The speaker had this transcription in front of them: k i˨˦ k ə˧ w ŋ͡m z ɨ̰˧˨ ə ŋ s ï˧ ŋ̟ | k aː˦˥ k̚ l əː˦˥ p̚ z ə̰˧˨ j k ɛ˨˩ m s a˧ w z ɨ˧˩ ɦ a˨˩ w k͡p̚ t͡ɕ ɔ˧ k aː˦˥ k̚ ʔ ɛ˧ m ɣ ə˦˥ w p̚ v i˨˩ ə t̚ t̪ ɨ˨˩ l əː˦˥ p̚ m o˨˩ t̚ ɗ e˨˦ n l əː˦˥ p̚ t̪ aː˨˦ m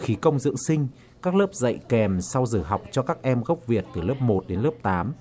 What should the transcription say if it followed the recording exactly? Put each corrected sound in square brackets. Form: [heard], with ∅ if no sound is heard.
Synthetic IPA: [x] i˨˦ k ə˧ w ŋ͡m z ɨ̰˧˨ ə ŋ s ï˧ ŋ̟ | k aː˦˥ k̚ l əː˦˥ p̚ z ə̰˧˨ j k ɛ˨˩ m s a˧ w z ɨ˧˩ ɦ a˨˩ w k͡p̚ t͡ɕ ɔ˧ k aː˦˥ k̚ ʔ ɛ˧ m ɣ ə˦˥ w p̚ v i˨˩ ə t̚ t̪ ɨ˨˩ l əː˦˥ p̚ m o˨˩ t̚ ɗ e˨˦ n l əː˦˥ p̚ t̪ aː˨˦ m